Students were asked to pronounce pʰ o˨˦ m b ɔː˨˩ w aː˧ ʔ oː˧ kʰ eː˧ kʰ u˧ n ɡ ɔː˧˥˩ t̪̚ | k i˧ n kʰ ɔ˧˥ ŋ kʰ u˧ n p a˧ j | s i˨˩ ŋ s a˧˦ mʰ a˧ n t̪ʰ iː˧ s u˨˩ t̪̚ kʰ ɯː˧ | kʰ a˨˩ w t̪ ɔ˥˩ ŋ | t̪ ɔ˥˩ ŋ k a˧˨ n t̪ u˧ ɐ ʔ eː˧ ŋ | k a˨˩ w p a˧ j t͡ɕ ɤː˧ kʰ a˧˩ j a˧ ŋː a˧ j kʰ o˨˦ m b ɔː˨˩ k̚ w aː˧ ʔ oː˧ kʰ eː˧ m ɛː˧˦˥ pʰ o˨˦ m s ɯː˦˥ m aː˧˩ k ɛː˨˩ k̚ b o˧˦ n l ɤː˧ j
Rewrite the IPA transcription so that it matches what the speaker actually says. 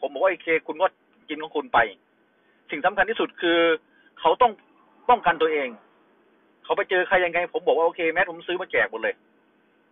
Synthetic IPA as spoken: pʰ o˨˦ m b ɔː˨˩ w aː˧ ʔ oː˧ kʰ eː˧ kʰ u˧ n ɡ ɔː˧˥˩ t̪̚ | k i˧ n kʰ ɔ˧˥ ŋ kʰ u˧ n p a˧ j | s i˨˩ ŋ s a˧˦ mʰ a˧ n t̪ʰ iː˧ s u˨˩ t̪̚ kʰ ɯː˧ | kʰ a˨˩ w t̪ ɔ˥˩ ŋ | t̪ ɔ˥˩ ŋ k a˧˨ n t̪ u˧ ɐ ʔ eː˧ ŋ | kʰ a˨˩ w p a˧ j t͡ɕ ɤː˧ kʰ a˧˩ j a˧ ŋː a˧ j pʰ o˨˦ m b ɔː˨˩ k̚ w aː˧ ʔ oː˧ kʰ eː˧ m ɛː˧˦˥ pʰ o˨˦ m s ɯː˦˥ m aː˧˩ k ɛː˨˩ k̚ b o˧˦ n l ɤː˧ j

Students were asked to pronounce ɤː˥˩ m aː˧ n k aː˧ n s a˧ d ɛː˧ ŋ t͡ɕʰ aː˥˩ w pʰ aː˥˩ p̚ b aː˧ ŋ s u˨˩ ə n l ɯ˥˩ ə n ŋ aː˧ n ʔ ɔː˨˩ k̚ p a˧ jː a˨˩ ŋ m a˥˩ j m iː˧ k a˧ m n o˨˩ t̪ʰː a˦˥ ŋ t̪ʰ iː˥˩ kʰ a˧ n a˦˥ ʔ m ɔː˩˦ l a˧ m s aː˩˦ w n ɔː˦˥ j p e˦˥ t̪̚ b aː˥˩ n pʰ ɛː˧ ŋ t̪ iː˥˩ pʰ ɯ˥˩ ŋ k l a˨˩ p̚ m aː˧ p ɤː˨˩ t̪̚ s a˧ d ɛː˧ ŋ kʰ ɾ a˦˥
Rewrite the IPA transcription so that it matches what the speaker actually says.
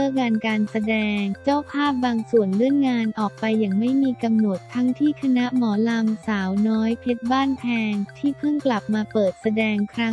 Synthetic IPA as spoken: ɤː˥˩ ŋ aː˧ n k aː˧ n s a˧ d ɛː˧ ŋ t͡ɕ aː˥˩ w pʰ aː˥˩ p̚ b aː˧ ŋ s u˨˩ ə n l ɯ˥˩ ə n ŋ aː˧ n ʔ ɔː˨˩ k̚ p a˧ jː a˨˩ ŋ m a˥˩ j m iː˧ k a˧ m n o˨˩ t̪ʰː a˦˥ ŋ t̪ʰ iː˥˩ kʰ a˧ n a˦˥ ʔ m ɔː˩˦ l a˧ m s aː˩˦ w n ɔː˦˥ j pʰ e˦˥ t̪̚ b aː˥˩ n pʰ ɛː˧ ŋ t̪ʰ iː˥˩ pʰ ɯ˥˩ ŋ k l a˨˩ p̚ m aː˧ p ɤː˨˩ t̪̚ s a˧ d ɛː˧ ŋ kʰ ɾ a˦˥

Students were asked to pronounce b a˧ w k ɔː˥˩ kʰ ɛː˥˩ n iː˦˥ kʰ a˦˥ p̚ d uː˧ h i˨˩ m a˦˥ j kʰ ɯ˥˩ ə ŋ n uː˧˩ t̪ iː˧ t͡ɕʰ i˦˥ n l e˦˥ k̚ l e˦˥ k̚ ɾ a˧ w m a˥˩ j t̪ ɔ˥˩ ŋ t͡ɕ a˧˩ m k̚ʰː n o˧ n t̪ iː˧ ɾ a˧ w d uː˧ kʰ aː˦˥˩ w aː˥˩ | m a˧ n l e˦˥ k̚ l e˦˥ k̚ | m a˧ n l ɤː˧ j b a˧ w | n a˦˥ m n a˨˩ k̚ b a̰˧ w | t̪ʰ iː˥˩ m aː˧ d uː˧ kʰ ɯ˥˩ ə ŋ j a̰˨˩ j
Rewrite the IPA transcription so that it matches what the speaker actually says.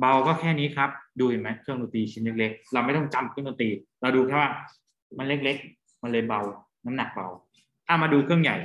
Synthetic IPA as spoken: b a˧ w k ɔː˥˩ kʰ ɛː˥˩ n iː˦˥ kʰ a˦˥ p̚ d uː˧ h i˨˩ m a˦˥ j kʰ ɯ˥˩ ə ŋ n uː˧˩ t̪ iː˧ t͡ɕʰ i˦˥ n l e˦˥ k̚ l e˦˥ k̚ ɾ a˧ w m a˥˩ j t̪ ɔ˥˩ ŋ t͡ɕ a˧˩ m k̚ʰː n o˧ n t̪ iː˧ ɾ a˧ w d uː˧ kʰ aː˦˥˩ w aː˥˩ | m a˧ n l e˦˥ k̚ l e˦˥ k̚ | m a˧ n l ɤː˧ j b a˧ w | n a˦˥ m n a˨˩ k̚ b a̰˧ w | t̪ʰ aː˥˩ m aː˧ d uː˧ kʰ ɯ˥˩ ə ŋ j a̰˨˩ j

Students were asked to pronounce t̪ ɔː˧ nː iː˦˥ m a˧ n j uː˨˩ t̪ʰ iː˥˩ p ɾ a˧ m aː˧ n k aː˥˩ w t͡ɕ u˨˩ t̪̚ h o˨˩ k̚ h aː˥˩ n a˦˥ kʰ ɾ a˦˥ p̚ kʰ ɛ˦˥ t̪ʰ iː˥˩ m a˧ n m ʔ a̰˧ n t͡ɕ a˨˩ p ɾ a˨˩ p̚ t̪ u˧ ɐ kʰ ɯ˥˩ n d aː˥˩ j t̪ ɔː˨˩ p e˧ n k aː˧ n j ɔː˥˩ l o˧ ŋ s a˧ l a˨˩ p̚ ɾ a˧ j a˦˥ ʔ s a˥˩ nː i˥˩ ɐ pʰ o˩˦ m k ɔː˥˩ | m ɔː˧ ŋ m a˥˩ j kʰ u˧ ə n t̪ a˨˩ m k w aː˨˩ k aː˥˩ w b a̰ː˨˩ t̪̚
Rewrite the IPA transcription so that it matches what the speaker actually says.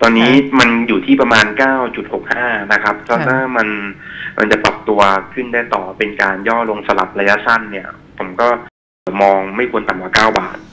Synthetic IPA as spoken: t̪ ɔː˧ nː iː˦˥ m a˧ n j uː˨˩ t̪ʰ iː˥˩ p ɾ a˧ m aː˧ n k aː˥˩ w t͡ɕ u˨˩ t̪̚ h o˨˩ k̚ h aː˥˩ n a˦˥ kʰ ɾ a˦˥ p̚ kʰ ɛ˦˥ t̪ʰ aː˥˩ m a˧ n m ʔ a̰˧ n t͡ɕ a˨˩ p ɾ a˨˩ p̚ t̪ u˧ ɐ kʰ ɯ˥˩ n d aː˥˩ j t̪ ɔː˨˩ p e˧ n k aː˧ n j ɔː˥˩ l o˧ ŋ s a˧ l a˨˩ p̚ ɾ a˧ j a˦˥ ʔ s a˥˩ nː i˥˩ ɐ pʰ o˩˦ m k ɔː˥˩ | m ɔː˧ ŋ m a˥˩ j kʰ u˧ ə n t̪ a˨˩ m k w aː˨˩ k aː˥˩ w b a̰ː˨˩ t̪̚

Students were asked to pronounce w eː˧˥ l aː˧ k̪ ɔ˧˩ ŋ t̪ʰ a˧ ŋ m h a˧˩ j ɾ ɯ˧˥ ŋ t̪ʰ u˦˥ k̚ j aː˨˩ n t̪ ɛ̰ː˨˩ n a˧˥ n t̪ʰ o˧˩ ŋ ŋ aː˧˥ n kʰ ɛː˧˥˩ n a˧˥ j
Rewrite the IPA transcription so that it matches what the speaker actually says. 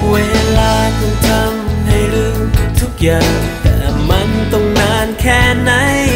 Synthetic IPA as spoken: w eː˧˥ l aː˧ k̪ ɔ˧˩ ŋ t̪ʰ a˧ m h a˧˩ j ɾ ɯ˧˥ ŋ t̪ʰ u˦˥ k̚ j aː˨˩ ŋ t̪ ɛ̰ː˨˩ m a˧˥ n t̪ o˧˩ ŋ n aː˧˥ n kʰ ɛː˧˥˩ n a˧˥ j

